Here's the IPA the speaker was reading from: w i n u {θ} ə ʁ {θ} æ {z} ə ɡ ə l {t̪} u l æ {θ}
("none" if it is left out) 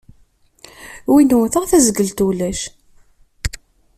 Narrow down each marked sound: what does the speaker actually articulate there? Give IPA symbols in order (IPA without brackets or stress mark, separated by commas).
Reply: θ, θ, z, t̪, ʃ